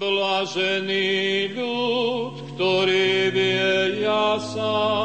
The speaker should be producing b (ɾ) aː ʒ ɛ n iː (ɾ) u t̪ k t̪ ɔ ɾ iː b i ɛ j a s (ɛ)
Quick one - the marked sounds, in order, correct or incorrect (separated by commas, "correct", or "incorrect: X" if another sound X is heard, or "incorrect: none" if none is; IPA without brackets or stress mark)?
incorrect: l, incorrect: ʎ, incorrect: a